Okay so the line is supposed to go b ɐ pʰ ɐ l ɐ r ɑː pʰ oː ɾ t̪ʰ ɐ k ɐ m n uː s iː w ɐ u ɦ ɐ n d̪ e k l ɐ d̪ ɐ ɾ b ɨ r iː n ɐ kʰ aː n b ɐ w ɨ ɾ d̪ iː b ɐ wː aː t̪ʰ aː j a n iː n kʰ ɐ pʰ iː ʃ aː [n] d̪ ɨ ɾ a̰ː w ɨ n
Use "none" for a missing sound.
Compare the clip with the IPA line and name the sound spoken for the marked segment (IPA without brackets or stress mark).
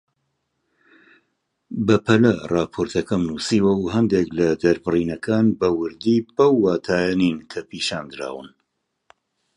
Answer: n